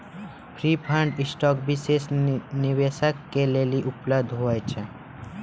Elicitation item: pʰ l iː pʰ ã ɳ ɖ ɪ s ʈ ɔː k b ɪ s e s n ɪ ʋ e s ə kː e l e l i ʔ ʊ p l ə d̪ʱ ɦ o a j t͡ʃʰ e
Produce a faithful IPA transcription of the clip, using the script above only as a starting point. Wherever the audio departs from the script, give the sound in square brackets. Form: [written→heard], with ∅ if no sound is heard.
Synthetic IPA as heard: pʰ [l→ɾ] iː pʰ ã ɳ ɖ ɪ s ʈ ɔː k b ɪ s e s n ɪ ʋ e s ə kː e l e l i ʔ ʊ p l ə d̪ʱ ɦ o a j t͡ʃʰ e

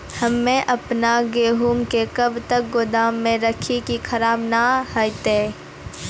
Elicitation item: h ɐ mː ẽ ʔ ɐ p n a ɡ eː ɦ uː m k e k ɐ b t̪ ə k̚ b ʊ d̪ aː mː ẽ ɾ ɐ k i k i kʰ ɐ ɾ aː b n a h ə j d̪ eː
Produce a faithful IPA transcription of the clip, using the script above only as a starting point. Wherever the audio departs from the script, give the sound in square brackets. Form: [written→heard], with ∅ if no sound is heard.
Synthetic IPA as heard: h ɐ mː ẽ ʔ ɐ p n a ɡ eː ɦ uː m k e k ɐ b t̪ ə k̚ [b→ɡ] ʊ d̪ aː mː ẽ ɾ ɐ [k→kʰ] i k i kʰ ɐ ɾ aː b n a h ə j [d̪→t̪] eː

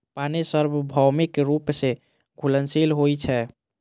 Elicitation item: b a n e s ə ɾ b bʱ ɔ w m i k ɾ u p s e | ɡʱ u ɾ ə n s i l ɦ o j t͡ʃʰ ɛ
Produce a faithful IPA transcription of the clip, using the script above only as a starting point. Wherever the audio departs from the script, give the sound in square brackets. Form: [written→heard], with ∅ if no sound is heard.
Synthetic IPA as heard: [b→p] a n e s ə ɾ b bʱ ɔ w m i k ɾ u p s e | ɡʱ u [ɾ→l] ə n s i l ɦ o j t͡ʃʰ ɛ

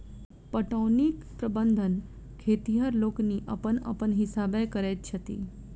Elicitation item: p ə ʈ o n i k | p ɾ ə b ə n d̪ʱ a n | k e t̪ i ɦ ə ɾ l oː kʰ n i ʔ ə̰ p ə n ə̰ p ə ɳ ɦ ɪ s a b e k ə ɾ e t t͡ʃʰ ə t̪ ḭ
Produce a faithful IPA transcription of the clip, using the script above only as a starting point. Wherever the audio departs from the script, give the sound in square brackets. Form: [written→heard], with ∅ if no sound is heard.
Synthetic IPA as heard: p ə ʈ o n i k | p ɾ ə b ə n d̪ʱ [a→ə] n | [k→kʰ] e t̪ i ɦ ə ɾ l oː [kʰ→k] n i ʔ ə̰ p ə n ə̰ p ə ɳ ɦ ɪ s a b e k ə ɾ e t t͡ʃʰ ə t̪ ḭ

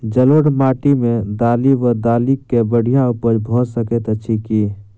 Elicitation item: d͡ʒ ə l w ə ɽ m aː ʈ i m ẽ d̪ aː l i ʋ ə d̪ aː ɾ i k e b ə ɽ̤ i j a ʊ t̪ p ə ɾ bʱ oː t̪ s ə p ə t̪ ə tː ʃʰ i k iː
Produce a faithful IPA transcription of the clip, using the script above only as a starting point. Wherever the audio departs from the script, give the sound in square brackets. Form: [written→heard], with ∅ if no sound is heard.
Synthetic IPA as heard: d͡ʒ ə l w ə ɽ m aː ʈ i m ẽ d̪ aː l i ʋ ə d̪ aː [ɾ→l] i k e b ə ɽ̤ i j a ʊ [t̪→∅] p ə ɾ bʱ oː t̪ s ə [p→k] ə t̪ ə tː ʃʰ i k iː

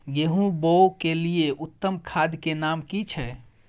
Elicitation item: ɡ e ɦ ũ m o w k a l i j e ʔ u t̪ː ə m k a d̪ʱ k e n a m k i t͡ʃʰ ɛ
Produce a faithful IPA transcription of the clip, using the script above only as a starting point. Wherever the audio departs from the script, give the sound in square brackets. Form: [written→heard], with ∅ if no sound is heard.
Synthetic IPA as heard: ɡ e ɦ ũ [m→b] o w k [a→e] l i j e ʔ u t̪ː ə m [k→kʰ] a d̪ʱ k e n a m k i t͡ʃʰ ɛ

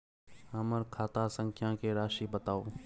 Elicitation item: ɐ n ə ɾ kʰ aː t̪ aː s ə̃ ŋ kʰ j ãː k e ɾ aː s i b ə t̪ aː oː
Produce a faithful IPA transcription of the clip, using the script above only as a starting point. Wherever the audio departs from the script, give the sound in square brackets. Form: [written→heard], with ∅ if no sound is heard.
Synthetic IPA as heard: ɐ [n→m] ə ɾ kʰ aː t̪ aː s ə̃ ŋ kʰ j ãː k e ɾ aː [s→ʃ] i b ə t̪ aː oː

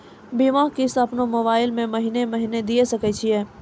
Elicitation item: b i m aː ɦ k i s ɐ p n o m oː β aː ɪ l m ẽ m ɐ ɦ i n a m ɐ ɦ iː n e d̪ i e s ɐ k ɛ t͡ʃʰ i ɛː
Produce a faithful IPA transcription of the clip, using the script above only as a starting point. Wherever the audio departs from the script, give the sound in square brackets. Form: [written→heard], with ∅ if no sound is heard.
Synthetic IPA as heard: b i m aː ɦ k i s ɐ p n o m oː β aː ɪ l m ẽ m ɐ ɦ i n [a→e] m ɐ ɦ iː n e d̪ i e s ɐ k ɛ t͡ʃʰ i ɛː

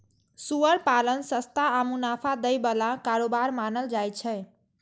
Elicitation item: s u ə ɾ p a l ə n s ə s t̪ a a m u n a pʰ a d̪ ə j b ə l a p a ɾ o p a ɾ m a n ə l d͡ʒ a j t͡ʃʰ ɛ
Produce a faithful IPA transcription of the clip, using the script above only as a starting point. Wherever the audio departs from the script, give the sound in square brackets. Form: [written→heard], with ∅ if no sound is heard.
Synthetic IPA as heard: s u ə ɾ p a l ə n s ə s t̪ a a m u n a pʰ a d̪ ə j b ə l a [p→k] a ɾ o [p→b] a ɾ m a n ə l d͡ʒ a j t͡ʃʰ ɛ

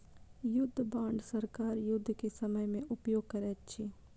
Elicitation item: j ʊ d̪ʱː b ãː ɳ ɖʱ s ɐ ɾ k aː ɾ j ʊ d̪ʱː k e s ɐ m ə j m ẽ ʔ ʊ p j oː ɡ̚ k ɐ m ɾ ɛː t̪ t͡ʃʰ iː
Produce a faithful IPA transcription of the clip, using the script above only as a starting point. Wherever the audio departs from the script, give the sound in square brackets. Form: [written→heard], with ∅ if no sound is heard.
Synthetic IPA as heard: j ʊ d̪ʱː b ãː ɳ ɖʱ s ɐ ɾ k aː ɾ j ʊ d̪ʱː k e s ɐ m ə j m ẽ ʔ ʊ p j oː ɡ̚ k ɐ [m→∅] ɾ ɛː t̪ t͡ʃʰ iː

